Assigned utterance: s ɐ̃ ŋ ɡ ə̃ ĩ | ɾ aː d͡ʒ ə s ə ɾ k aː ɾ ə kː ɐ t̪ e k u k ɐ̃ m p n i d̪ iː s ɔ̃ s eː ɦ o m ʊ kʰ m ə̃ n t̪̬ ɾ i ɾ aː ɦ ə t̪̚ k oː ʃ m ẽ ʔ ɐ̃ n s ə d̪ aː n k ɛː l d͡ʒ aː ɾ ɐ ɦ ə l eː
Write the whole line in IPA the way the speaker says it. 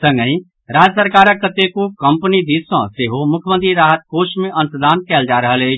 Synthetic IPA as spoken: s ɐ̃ ŋ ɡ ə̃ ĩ | ɾ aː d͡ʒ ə s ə ɾ k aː ɾ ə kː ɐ t̪ e k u k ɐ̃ m p n i d̪ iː s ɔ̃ s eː ɦ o m ʊ kʰ m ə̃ n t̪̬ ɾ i ɾ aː ɦ ə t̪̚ k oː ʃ m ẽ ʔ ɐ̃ n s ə d̪ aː n k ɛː l d͡ʒ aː ɾ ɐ ɦ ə l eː